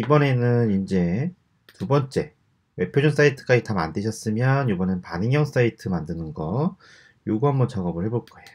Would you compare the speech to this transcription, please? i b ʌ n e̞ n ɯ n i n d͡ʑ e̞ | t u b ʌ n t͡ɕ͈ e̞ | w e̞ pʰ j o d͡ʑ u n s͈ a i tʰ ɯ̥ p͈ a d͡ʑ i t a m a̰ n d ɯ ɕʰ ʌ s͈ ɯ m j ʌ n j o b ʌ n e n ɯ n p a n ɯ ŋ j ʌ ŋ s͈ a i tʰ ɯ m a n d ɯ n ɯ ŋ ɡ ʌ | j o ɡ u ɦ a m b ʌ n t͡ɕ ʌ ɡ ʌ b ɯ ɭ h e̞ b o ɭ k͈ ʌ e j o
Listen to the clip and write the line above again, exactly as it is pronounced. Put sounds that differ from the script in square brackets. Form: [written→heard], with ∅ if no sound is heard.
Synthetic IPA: i b ʌ n e̞ n ɯ n i n d͡ʑ e̞ | t u b ʌ n t͡ɕ͈ e̞ | w e̞ pʰ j o d͡ʑ u n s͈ a i tʰ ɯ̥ [p͈→k͈] a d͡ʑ i t a m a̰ n d ɯ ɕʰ ʌ s͈ ɯ m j ʌ n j o b ʌ n e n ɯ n p a n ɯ ŋ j ʌ ŋ s͈ a i tʰ ɯ m a n d ɯ n ɯ [ŋ→n] ɡ ʌ | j o ɡ u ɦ a m b ʌ n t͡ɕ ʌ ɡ ʌ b ɯ ɭ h e̞ b o ɭ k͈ ʌ e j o